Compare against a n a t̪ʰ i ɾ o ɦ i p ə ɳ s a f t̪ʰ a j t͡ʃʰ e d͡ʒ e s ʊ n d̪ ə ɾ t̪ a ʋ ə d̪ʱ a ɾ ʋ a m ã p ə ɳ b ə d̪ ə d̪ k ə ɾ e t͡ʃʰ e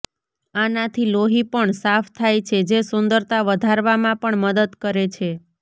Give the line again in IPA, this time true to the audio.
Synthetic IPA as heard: a n a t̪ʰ i l o ɦ i p ə ɳ s a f t̪ʰ a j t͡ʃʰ e d͡ʒ e s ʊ n d̪ ə ɾ t̪ a ʋ ə d̪ʱ a ɾ ʋ a m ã p ə ɳ m ə d̪ ə d̪ k ə ɾ e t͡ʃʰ e